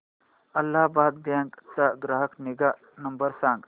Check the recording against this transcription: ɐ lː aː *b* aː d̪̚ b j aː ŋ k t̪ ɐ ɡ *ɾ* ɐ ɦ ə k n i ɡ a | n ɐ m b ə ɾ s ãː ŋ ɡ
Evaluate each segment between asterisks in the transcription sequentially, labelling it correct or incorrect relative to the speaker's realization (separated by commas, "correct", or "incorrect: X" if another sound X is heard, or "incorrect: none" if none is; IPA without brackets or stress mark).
correct, correct